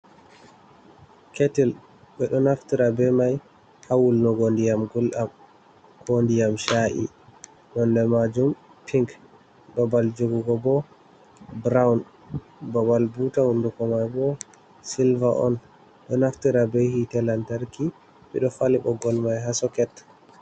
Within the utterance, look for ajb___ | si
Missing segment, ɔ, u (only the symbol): ɔ